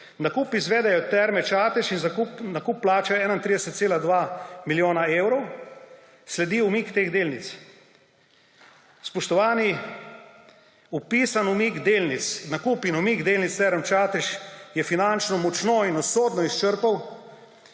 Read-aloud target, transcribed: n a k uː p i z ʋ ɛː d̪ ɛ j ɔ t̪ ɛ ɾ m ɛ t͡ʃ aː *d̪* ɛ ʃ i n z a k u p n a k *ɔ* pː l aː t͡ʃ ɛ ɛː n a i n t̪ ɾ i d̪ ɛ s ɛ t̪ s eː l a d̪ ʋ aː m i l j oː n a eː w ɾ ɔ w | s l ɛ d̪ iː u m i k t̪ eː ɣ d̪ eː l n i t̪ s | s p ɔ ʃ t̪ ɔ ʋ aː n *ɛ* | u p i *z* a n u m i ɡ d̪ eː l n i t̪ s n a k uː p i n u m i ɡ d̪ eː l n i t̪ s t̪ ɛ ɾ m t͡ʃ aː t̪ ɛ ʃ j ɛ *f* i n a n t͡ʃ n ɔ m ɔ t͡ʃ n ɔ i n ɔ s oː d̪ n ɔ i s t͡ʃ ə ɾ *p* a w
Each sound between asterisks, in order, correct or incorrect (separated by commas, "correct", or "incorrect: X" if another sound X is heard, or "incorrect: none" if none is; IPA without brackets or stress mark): incorrect: t̪, incorrect: u, incorrect: i, incorrect: s, correct, correct